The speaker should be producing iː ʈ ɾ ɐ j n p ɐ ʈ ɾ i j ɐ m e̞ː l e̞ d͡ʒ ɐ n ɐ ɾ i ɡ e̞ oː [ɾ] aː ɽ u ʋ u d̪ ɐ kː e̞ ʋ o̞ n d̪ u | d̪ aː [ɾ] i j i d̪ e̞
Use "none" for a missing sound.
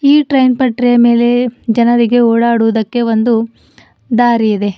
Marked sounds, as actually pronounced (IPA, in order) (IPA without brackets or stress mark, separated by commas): ɽ, ɾ